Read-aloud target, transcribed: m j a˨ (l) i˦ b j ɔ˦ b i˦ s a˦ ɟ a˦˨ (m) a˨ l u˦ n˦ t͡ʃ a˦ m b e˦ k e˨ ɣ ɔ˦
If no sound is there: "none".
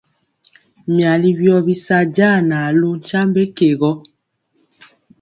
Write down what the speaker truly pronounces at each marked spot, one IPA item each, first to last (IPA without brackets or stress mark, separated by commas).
l, n